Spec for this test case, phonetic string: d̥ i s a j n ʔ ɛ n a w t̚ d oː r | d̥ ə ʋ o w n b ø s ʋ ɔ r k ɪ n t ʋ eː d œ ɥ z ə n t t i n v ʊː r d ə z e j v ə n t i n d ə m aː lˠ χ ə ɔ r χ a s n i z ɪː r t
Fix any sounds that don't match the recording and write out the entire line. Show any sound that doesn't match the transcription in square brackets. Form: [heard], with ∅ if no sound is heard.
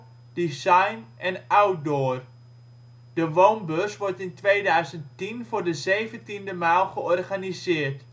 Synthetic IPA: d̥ i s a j n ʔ ɛ n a w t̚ d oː r | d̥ ə ʋ o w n b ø s ʋ ɔ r [t] ɪ n t ʋ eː d œ ɥ z ə n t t i n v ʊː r d ə z e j v ə n t i n d ə m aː lˠ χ ə ɔ r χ a [∅] n i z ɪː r t